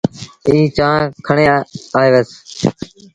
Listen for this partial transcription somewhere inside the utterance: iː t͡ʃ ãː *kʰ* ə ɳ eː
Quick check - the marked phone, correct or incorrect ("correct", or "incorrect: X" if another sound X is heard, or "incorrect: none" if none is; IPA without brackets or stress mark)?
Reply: correct